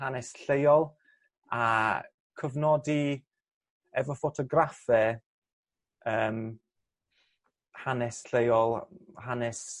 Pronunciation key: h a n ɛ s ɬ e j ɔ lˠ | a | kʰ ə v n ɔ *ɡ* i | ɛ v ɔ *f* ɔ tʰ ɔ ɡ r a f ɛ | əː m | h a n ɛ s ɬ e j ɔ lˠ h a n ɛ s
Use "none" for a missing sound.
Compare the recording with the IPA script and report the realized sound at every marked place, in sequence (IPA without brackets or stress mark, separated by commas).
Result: d, f